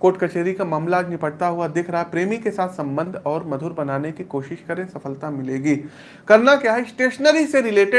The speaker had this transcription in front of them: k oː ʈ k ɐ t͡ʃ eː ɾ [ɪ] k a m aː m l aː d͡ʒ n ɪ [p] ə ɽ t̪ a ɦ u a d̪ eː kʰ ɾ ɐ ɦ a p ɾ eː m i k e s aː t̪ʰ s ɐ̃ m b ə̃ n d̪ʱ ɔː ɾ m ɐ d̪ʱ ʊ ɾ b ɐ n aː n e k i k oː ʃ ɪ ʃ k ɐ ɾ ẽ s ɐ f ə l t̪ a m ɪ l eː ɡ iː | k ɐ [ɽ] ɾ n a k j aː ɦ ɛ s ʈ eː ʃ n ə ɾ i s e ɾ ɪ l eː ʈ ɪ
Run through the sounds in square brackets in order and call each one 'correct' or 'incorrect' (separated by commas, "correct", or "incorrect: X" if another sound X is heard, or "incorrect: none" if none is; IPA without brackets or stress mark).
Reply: incorrect: i, correct, incorrect: none